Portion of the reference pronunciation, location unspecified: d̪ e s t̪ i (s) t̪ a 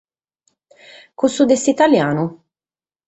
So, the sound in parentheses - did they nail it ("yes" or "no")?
no